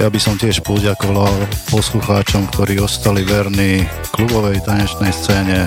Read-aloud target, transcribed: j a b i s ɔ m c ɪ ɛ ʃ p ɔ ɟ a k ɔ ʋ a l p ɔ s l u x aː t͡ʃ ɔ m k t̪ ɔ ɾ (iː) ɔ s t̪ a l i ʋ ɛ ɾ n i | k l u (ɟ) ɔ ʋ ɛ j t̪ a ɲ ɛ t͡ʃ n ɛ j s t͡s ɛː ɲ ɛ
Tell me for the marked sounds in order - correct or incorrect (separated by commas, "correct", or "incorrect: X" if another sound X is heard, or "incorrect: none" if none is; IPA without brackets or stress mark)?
correct, incorrect: b